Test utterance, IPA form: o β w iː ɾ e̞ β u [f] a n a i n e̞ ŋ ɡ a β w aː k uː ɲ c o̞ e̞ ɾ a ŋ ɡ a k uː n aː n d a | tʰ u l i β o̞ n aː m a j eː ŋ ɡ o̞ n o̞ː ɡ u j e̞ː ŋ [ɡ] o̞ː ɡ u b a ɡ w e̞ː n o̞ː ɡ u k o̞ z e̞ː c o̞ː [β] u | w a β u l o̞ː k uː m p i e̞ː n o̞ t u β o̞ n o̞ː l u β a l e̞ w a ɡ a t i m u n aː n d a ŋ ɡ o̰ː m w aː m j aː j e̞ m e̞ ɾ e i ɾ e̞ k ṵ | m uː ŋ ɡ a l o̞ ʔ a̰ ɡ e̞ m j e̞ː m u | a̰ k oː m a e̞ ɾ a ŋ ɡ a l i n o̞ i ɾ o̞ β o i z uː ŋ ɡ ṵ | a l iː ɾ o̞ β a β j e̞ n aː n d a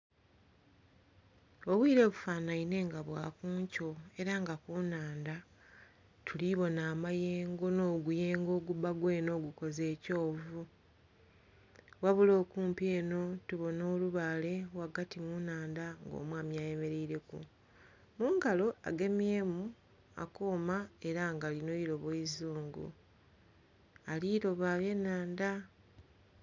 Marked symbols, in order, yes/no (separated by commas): yes, yes, no